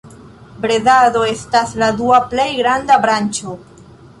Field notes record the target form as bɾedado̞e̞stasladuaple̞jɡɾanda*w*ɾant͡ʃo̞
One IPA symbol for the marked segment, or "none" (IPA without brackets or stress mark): b